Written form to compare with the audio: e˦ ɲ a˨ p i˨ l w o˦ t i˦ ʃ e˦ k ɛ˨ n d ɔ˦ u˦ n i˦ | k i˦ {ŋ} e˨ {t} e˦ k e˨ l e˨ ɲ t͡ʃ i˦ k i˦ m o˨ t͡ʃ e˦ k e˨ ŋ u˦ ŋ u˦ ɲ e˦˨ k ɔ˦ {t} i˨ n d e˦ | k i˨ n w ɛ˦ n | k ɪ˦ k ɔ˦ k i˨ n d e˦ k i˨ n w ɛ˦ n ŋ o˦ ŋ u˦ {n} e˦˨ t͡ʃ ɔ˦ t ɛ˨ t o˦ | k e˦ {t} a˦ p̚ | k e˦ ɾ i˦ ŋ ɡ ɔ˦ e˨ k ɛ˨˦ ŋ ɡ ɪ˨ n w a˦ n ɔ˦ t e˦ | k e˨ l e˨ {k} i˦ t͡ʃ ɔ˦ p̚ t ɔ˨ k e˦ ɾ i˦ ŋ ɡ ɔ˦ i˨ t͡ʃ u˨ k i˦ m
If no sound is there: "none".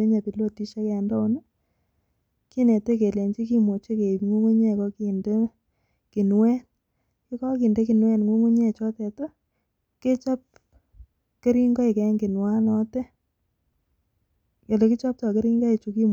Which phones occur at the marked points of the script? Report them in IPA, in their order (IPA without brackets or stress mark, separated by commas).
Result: n, t, k, ɲ, t͡ʃ, k